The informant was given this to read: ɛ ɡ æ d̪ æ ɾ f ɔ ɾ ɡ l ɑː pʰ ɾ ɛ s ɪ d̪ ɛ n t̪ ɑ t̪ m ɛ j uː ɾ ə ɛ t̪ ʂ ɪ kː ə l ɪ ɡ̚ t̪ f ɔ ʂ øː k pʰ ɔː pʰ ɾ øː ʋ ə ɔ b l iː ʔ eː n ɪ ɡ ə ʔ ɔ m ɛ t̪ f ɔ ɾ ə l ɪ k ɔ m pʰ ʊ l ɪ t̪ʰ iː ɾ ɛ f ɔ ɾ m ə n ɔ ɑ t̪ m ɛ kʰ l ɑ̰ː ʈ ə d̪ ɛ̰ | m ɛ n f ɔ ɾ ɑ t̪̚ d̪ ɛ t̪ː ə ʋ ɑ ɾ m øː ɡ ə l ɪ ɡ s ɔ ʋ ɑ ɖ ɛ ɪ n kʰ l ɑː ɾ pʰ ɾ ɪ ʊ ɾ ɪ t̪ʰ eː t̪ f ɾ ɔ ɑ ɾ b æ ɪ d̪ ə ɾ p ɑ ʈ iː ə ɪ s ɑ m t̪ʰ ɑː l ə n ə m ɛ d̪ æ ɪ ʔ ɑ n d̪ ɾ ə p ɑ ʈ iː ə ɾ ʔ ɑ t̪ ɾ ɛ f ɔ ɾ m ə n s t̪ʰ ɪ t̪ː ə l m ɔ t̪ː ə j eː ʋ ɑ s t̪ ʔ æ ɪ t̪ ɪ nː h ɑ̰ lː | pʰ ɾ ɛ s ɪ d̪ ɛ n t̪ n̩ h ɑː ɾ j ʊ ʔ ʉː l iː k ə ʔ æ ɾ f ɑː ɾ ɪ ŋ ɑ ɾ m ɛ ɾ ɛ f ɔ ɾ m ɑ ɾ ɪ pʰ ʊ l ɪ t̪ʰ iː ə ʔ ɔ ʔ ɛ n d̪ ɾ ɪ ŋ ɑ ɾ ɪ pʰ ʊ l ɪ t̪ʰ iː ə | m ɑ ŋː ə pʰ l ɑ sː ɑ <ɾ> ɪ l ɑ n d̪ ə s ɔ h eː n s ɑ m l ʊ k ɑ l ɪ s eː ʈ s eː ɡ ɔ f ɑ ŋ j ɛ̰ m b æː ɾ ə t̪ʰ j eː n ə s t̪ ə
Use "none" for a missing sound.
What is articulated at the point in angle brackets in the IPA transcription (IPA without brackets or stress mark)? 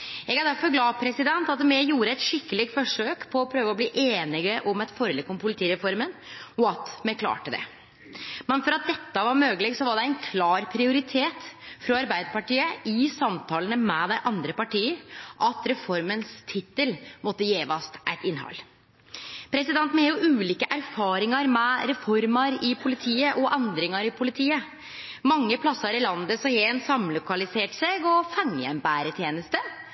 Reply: ɾ